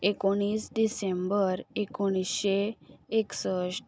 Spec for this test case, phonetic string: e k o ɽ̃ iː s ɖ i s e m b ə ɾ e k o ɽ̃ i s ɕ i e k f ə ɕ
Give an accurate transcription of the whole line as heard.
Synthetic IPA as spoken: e k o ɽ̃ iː s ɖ i s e m b ə ɾ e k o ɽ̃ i s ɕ e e k s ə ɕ